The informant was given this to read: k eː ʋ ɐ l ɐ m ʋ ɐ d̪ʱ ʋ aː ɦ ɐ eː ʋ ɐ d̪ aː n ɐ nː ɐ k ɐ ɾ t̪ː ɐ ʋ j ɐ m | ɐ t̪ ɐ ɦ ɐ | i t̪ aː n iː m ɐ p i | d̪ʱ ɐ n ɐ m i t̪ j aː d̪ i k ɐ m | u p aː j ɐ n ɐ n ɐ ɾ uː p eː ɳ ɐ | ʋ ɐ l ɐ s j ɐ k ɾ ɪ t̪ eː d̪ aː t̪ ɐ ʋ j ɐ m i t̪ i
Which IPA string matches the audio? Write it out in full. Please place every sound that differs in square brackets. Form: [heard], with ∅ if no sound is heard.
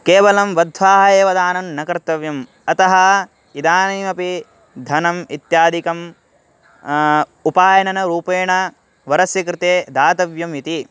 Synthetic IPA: k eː ʋ ɐ l ɐ m ʋ ɐ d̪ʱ ʋ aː ɦ ɐ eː ʋ ɐ d̪ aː n ɐ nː ɐ k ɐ ɾ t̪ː ɐ ʋ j ɐ m | ɐ t̪ ɐ ɦ ɐ | i [d̪] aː n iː m ɐ p i | d̪ʱ ɐ n ɐ m i t̪ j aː d̪ i k ɐ m | u p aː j ɐ n ɐ n ɐ ɾ uː p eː ɳ ɐ | ʋ ɐ [ɾ] ɐ s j ɐ k ɾ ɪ t̪ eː d̪ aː t̪ ɐ ʋ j ɐ m i t̪ i

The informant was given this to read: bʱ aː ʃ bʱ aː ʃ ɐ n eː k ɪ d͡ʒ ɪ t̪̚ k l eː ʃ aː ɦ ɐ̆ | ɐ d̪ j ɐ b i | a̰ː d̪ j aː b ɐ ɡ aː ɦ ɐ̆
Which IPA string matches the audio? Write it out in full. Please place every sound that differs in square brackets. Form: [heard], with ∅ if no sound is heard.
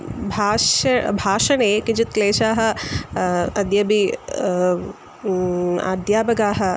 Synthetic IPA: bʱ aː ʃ bʱ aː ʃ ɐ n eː k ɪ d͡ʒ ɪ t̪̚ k l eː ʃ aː ɦ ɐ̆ | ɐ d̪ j ɐ b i | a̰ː d̪ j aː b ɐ ɡ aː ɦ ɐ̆

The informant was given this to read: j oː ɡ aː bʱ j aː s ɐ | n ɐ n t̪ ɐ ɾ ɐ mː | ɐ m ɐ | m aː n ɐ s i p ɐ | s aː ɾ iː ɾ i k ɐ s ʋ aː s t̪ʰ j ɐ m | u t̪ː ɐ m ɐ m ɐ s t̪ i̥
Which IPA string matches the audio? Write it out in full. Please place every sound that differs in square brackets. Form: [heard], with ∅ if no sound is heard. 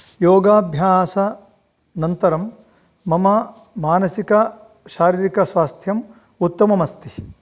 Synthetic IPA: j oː ɡ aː bʱ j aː s ɐ | n ɐ n t̪ ɐ ɾ ɐ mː | ɐ m ɐ | m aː n ɐ s i [k] ɐ | [ʃ] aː ɾ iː ɾ i k ɐ s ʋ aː s t̪ʰ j ɐ m | u t̪ː ɐ m ɐ m ɐ s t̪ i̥

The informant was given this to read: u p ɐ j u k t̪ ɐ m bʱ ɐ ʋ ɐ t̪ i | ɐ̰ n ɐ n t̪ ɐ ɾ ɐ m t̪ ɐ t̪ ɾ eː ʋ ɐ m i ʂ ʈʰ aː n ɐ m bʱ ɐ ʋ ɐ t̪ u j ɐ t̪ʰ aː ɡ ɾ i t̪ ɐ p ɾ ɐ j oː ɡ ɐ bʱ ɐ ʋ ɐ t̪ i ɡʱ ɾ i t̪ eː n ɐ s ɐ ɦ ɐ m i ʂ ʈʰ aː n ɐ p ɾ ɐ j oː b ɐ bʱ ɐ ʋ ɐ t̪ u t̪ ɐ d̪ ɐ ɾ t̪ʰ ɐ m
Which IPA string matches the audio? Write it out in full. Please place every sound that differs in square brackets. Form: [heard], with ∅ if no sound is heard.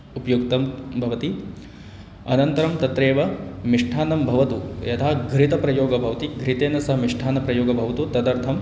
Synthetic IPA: u p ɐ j u k t̪ ɐ m bʱ ɐ ʋ ɐ t̪ i | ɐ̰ n ɐ n t̪ ɐ ɾ ɐ m t̪ ɐ t̪ ɾ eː ʋ ɐ m i ʂ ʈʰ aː n ɐ m bʱ ɐ ʋ ɐ t̪ u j ɐ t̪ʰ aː ɡ ɾ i t̪ ɐ p ɾ ɐ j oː ɡ ɐ bʱ ɐ ʋ ɐ t̪ i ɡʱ ɾ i t̪ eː n ɐ s ɐ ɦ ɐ m i ʂ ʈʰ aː n ɐ p ɾ ɐ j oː [ɡ] ɐ bʱ ɐ ʋ ɐ t̪ u t̪ ɐ d̪ ɐ ɾ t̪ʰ ɐ m

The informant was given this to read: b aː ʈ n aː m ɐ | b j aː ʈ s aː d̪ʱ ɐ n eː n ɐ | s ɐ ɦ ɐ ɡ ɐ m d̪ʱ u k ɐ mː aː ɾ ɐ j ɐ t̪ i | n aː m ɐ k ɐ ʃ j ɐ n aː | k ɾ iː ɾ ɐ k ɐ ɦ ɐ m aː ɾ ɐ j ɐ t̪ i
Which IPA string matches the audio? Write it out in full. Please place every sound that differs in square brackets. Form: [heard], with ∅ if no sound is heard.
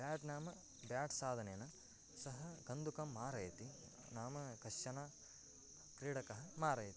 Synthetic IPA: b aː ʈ n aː m ɐ | b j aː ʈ s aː d̪ʱ ɐ n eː n ɐ | s ɐ ɦ ɐ ɡ ɐ [n] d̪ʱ u k ɐ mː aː ɾ ɐ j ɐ t̪ i | n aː m ɐ k ɐ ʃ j ɐ n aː | k ɾ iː [ɽ] ɐ k ɐ ɦ ɐ m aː ɾ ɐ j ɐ t̪ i

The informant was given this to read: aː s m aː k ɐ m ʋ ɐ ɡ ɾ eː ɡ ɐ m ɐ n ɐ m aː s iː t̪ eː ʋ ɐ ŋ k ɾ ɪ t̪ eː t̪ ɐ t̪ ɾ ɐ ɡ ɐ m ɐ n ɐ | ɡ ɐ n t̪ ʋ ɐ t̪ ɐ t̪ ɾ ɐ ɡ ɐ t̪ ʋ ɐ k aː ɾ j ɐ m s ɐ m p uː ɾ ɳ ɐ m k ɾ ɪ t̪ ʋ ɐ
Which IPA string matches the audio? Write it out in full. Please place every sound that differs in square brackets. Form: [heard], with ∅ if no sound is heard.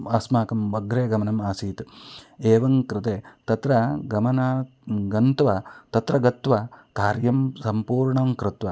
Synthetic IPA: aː s m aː k ɐ m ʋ ɐ ɡ ɾ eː ɡ ɐ m ɐ n ɐ m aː s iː t̪ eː ʋ ɐ ŋ k ɾ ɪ t̪ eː t̪ ɐ t̪ ɾ ɐ ɡ ɐ m ɐ n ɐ | ɡ ɐ n t̪ ʋ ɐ t̪ ɐ t̪ ɾ ɐ ɡ ɐ t̪ ʋ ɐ k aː ɾ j ɐ m s ɐ m p uː ɾ ɳ ɐ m k ɾ ɪ t̪ ʋ ɐ

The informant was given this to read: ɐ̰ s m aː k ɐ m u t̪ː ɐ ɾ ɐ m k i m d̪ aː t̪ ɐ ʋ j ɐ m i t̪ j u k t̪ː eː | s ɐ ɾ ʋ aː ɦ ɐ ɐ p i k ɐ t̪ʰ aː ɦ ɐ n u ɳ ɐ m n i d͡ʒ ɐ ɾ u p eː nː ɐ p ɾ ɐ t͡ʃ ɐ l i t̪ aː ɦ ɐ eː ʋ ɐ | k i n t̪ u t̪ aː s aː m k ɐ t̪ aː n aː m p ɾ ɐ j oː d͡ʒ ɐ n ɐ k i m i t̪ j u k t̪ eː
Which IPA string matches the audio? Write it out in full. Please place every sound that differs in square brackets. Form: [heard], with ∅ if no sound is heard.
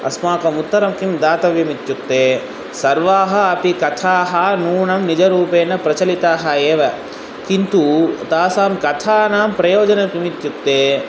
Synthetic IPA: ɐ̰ s m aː k ɐ m u t̪ː ɐ ɾ ɐ m k i m d̪ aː t̪ ɐ ʋ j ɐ m i t̪ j u k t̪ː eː | s ɐ ɾ ʋ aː ɦ ɐ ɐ p i k ɐ t̪ʰ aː ɦ ɐ n [uː] ɳ ɐ m n i d͡ʒ ɐ ɾ [uː] p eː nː ɐ p ɾ ɐ t͡ʃ ɐ l i t̪ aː ɦ ɐ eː ʋ ɐ | k i n t̪ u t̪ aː s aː m k ɐ [t̪ʰ] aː n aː m p ɾ ɐ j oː d͡ʒ ɐ n ɐ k i m i t̪ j u k t̪ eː

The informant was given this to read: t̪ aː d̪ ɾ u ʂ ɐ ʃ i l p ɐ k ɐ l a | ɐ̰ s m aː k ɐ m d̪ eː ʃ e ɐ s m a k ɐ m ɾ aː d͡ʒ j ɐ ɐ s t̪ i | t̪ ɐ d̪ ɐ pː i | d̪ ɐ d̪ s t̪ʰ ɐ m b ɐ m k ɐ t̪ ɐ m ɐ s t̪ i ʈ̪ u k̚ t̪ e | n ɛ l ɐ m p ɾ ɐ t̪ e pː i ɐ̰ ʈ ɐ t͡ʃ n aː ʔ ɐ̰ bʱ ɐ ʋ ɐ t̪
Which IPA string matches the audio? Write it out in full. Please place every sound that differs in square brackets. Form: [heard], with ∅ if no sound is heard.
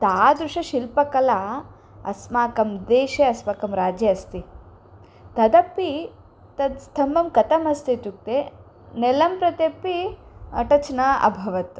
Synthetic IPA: t̪ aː d̪ ɾ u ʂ ɐ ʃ i l p ɐ k ɐ l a | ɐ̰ s m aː k ɐ m d̪ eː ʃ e ɐ s m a k ɐ m ɾ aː d͡ʒ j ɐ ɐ s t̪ i | t̪ ɐ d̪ ɐ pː i | [t̪] ɐ d̪ s t̪ʰ ɐ m b ɐ m k ɐ t̪ ɐ m ɐ s t̪ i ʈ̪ u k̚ t̪ e | n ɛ l ɐ m p ɾ ɐ t̪ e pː i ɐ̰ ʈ ɐ t͡ʃ n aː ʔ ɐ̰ bʱ ɐ ʋ ɐ t̪

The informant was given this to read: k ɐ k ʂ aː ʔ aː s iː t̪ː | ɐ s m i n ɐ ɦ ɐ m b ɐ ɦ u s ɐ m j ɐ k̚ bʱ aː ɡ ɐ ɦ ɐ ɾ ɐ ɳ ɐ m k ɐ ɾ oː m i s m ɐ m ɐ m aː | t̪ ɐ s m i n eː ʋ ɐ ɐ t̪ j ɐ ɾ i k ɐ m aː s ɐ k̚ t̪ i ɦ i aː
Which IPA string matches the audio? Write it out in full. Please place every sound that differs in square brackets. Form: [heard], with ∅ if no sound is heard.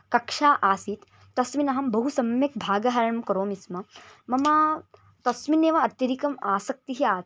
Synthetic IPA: k ɐ k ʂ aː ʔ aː s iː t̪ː | ɐ s m i n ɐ ɦ ɐ m b ɐ ɦ u s ɐ m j ɐ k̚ bʱ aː ɡ ɐ ɦ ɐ ɾ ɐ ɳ ɐ m k ɐ ɾ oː m i s m ɐ m ɐ m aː | t̪ ɐ s m i n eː ʋ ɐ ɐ t̪ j ɐ ɾ i k ɐ m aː s ɐ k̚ t̪ i ɦ i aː

